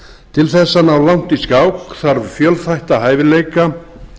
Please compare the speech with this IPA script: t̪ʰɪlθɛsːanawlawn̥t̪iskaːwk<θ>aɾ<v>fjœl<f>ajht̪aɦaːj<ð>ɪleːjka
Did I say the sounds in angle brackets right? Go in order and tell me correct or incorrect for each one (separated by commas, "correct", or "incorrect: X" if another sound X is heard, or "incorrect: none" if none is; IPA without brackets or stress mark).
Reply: correct, correct, incorrect: θ, incorrect: v